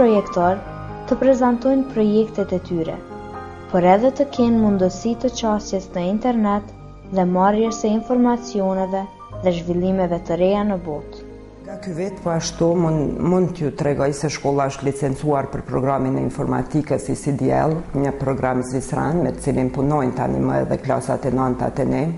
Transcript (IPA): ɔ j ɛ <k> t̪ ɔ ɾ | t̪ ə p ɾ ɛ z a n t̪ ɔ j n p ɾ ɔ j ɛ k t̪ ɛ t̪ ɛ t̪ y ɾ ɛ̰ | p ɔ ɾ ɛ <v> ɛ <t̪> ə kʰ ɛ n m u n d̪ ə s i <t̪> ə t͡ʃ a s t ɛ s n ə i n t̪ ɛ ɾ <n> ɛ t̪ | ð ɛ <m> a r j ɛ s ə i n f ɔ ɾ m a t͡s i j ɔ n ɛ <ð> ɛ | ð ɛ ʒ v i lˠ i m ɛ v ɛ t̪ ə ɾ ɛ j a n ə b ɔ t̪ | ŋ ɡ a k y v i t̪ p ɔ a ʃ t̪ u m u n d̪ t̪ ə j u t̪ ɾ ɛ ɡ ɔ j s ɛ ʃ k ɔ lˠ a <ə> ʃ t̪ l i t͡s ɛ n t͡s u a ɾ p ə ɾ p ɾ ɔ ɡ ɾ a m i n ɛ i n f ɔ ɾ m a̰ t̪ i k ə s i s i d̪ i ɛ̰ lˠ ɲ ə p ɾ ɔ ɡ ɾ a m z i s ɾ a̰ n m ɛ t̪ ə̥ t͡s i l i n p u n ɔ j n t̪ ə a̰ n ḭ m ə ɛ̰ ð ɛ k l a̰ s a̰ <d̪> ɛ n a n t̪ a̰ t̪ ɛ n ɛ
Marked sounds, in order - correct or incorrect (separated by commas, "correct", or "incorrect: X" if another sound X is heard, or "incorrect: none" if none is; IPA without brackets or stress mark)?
correct, incorrect: ð, correct, correct, correct, correct, incorrect: v, correct, incorrect: t̪